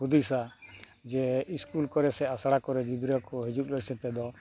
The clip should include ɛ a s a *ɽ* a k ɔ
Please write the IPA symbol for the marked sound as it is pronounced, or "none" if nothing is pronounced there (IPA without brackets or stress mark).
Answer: ɽ